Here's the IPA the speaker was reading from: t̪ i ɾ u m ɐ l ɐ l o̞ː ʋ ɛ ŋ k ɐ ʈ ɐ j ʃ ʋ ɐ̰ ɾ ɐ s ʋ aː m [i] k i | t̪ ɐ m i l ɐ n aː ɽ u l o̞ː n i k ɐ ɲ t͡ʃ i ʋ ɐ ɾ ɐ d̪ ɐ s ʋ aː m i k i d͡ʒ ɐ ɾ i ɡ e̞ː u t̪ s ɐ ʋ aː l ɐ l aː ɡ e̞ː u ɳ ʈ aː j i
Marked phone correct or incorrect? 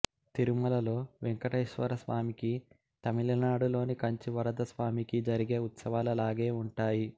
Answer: correct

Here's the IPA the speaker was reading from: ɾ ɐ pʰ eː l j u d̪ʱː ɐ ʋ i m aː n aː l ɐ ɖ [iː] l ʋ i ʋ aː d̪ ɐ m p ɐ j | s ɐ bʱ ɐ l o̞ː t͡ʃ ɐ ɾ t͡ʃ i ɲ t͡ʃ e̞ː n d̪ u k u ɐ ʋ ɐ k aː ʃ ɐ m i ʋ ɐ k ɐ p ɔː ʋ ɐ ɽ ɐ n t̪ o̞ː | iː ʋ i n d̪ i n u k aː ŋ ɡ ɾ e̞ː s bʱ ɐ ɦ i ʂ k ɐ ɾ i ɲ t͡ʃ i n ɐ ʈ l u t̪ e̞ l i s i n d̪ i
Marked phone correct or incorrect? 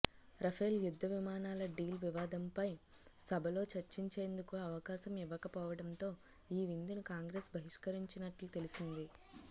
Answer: correct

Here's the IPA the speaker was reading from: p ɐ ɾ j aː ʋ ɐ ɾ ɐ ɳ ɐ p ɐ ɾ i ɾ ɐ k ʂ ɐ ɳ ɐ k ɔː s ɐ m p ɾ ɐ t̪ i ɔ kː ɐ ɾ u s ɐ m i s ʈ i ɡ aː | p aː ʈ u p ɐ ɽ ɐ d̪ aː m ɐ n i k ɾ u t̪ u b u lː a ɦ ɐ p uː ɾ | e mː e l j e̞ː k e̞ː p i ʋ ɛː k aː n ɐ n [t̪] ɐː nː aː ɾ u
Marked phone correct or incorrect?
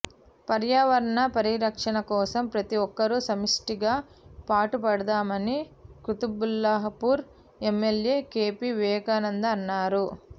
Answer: incorrect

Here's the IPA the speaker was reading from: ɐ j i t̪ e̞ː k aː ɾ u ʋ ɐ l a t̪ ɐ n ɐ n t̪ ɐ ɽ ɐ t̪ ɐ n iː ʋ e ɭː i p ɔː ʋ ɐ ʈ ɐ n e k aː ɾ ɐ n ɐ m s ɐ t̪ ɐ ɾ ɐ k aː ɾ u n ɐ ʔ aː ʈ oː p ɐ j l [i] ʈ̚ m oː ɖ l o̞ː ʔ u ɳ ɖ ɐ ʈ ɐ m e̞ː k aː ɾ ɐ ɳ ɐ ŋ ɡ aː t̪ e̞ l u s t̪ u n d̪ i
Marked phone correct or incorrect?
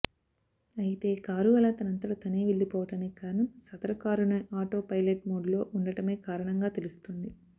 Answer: incorrect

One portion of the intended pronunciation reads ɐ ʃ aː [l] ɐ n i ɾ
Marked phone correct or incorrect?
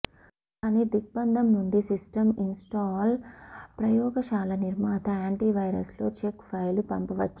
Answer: correct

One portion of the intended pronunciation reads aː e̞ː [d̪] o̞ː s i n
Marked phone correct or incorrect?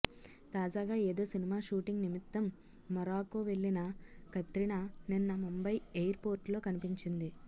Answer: correct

